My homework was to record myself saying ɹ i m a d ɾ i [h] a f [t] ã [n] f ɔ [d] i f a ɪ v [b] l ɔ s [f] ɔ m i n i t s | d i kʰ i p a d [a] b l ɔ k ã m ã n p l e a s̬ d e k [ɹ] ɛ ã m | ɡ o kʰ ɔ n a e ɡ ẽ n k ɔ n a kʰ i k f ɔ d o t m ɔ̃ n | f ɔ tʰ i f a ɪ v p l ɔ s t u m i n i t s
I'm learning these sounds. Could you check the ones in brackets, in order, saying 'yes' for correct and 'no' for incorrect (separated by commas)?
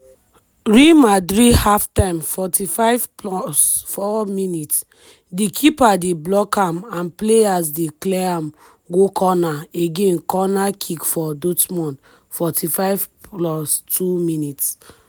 yes, yes, no, no, no, yes, no, no